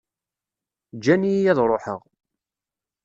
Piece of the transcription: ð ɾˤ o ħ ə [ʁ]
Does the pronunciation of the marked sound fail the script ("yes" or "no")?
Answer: no